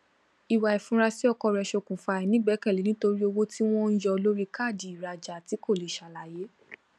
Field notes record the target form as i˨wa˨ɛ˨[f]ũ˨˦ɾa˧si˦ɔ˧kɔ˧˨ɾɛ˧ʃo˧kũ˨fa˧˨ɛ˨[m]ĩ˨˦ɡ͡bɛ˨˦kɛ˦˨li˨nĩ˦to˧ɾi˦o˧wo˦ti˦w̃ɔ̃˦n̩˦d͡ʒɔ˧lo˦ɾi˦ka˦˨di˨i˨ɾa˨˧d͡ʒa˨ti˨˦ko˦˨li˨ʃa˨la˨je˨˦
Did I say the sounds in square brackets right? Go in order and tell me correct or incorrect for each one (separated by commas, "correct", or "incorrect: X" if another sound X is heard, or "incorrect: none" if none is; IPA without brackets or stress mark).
correct, incorrect: n